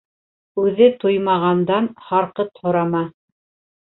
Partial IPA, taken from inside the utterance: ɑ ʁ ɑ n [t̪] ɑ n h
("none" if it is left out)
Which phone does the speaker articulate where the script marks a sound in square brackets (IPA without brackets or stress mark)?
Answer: d̪